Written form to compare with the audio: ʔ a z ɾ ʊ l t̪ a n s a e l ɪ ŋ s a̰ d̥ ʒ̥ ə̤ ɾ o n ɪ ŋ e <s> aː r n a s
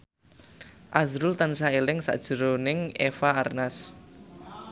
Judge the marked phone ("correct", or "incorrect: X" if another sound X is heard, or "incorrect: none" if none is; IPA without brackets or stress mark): incorrect: f